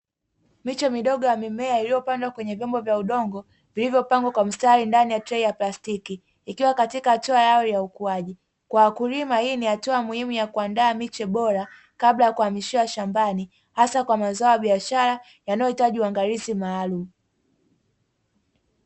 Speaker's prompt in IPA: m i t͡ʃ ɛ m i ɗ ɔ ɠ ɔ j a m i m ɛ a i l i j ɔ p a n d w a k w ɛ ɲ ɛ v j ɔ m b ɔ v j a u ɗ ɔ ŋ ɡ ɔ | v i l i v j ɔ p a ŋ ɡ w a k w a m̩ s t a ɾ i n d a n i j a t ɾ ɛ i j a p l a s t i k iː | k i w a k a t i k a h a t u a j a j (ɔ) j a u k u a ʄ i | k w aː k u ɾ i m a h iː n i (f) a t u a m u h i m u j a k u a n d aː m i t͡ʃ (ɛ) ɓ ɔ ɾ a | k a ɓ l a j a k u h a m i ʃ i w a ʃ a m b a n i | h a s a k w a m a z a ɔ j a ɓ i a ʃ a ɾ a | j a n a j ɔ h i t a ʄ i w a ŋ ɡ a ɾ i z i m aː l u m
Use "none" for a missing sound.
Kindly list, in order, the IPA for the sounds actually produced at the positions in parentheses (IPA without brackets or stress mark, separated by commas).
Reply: ɔ, h, ɛ